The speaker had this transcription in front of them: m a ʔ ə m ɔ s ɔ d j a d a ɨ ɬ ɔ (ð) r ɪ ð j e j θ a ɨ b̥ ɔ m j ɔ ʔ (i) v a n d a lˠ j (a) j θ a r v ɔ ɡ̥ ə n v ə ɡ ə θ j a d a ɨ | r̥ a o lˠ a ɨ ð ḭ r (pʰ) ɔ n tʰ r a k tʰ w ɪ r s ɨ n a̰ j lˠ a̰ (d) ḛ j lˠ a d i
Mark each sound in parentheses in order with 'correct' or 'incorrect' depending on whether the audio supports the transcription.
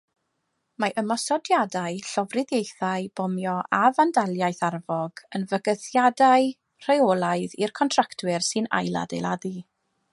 incorrect: v, incorrect: a, correct, incorrect: kʰ, correct

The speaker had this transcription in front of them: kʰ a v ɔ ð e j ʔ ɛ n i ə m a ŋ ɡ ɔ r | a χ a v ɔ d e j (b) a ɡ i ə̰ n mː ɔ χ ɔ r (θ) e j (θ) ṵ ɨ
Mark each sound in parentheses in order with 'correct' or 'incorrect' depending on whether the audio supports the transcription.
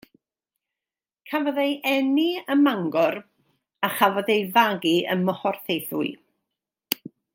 incorrect: v, correct, correct

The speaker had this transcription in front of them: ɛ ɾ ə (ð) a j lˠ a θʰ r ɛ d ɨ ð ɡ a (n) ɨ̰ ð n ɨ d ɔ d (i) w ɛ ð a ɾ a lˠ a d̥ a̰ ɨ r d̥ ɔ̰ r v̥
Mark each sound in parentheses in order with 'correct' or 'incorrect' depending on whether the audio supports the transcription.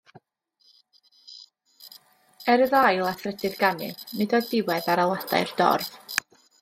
correct, correct, incorrect: ɪ

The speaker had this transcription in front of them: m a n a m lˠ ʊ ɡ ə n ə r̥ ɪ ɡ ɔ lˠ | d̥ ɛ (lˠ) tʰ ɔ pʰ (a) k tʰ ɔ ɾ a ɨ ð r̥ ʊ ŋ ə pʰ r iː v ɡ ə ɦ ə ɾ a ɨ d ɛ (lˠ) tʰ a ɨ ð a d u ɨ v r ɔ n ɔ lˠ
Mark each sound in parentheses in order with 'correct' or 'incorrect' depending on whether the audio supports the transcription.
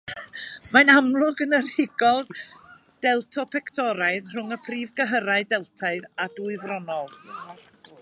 correct, incorrect: ɛ, correct

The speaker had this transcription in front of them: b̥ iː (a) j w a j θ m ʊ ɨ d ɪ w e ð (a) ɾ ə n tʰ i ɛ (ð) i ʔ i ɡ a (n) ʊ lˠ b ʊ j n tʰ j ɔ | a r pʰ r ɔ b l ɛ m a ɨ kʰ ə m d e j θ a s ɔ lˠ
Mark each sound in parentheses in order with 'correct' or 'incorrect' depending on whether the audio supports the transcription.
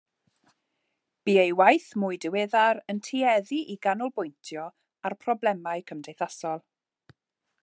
incorrect: e, correct, correct, correct

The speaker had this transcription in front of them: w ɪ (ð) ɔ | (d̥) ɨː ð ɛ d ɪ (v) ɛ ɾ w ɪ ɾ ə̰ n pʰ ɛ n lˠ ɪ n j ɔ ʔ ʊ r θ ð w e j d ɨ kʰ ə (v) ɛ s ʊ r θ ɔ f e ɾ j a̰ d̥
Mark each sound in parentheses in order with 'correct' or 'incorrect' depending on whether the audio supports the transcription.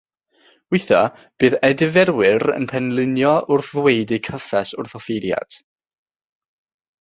incorrect: θ, incorrect: b̥, correct, incorrect: f

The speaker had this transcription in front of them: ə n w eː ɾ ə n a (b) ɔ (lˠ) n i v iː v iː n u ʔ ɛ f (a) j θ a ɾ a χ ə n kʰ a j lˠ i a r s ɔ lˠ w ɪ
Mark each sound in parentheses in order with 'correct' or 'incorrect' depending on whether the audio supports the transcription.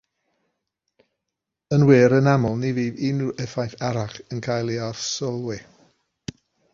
incorrect: m, correct, correct

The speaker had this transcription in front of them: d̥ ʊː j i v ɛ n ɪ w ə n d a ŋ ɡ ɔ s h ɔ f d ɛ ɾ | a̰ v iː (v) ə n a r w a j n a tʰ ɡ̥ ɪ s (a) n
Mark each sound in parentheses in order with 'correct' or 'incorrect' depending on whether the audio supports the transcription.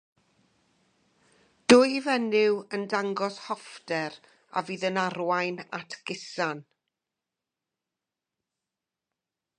incorrect: ð, correct

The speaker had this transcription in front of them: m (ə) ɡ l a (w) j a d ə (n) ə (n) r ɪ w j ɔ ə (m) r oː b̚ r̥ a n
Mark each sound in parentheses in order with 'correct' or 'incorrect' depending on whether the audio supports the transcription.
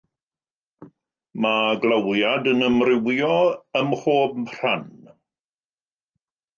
incorrect: a, correct, correct, incorrect: m, correct

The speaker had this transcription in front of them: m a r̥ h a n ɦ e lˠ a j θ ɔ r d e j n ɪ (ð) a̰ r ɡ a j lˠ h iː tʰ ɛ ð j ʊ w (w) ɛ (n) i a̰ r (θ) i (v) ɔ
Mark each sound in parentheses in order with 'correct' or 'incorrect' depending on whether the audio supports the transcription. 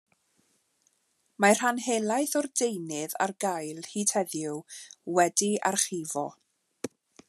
correct, correct, incorrect: d, incorrect: χ, correct

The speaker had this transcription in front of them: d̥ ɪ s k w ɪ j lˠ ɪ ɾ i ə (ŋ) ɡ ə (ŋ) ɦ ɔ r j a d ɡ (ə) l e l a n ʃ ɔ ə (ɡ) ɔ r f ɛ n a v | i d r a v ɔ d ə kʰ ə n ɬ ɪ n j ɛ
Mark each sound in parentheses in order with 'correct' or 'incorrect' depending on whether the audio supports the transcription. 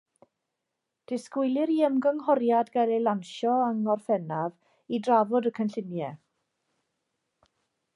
incorrect: m, correct, incorrect: a, incorrect: ŋ

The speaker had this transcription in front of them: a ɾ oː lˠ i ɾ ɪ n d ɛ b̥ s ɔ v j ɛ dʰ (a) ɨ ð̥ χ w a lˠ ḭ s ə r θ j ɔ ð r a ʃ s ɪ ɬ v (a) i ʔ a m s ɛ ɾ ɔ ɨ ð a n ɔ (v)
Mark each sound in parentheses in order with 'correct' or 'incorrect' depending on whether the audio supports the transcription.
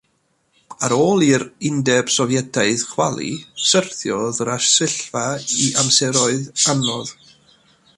correct, correct, incorrect: ð

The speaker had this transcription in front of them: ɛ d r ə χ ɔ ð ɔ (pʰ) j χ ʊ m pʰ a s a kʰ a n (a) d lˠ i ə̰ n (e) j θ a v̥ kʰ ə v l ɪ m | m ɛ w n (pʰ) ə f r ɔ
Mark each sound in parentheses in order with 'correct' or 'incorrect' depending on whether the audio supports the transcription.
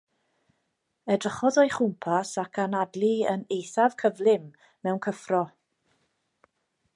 incorrect: none, correct, correct, incorrect: kʰ

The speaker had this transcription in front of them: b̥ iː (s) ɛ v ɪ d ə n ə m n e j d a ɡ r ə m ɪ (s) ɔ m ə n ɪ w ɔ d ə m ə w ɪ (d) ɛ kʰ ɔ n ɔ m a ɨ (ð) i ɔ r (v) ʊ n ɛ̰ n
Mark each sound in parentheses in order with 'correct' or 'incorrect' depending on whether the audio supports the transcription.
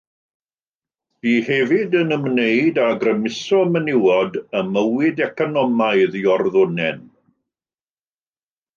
incorrect: h, correct, correct, correct, incorrect: ð

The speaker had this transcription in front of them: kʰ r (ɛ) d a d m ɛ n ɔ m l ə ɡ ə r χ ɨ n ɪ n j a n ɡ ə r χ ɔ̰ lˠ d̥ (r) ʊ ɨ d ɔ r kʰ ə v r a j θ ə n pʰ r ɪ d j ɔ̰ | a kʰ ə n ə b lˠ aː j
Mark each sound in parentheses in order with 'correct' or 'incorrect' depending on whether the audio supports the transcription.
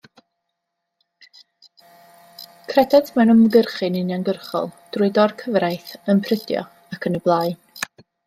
correct, correct

